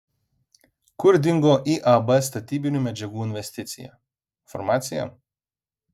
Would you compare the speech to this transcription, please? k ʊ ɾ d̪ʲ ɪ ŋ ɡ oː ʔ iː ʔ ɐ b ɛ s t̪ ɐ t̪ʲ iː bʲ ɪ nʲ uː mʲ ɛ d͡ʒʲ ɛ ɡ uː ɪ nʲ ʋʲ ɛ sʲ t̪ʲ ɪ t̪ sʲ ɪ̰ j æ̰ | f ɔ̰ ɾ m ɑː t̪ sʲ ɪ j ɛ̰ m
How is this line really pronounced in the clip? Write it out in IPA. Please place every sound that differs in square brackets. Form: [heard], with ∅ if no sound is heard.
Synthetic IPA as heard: k ʊ ɾ d̪ʲ ɪ ŋ ɡ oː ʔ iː ʔ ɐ b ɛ s t̪ ɐ t̪ʲ iː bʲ ɪ nʲ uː mʲ ɛ d͡ʒʲ ɛ ɡ uː ɪ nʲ ʋʲ ɛ sʲ t̪ʲ ɪ t̪ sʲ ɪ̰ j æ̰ | f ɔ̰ ɾ m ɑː t̪ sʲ ɪ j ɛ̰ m